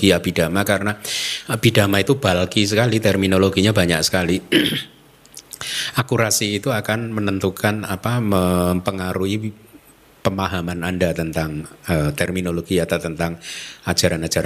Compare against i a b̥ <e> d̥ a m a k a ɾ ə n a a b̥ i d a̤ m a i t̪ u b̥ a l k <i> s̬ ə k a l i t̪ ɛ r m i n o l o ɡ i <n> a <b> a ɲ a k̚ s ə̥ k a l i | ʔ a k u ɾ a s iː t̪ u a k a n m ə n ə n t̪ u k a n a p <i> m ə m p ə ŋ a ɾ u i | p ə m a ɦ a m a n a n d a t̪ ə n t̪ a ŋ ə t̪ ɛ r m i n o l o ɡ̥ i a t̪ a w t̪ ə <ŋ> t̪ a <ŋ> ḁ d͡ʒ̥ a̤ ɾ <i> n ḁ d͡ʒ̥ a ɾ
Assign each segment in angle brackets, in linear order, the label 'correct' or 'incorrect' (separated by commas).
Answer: incorrect, correct, incorrect, correct, incorrect, incorrect, correct, incorrect